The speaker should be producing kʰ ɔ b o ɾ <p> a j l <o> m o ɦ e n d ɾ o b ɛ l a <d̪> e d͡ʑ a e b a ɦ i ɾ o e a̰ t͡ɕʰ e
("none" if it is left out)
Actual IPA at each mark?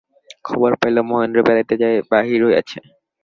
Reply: p, o, t̪

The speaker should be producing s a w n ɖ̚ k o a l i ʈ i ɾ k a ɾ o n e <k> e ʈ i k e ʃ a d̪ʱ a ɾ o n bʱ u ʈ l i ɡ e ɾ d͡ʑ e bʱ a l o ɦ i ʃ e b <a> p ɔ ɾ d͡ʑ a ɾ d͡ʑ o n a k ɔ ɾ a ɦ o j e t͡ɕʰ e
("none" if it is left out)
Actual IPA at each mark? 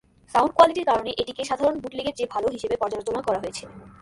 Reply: ʔ, e

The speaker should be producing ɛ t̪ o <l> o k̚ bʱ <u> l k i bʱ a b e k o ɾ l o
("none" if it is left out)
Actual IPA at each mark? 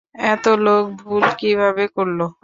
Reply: l, u

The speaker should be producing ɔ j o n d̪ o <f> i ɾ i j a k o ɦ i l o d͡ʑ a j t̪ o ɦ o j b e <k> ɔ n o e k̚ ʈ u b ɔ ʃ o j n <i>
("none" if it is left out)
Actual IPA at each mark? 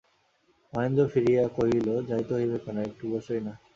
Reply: f, k, a

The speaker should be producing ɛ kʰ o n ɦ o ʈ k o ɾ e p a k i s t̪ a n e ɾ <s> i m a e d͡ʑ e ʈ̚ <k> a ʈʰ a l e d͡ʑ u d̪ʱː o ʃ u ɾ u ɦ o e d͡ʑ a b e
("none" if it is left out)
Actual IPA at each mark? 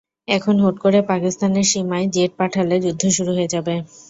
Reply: ʃ, p

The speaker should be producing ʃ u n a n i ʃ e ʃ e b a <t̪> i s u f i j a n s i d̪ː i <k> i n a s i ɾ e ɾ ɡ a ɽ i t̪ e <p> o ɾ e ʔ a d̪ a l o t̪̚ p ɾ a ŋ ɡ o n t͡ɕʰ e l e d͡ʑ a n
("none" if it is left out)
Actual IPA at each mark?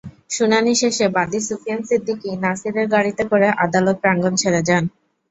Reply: d̪, k, k

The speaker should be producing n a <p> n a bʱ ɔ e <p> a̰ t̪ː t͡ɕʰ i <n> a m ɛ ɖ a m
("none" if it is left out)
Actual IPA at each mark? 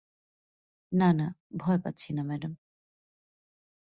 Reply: none, p, n

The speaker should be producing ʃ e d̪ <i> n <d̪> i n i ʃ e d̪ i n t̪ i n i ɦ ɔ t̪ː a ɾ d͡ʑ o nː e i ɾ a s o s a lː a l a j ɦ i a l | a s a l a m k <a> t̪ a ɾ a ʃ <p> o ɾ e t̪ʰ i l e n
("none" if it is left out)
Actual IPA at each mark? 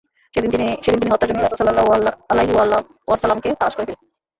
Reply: i, t̪, e, k

